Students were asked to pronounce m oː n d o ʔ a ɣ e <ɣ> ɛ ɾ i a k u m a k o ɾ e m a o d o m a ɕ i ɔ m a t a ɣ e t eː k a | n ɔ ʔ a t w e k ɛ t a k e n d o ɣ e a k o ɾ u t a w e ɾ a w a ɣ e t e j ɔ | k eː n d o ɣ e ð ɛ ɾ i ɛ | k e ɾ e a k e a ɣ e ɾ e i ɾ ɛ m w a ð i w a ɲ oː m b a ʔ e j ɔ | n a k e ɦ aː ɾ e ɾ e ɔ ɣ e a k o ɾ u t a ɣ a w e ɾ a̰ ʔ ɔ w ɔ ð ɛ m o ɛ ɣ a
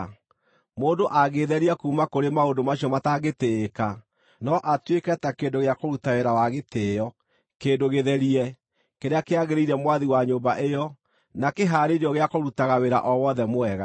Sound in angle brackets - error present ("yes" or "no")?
yes